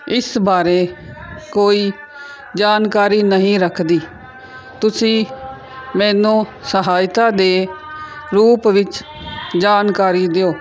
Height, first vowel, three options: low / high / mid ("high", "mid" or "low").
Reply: high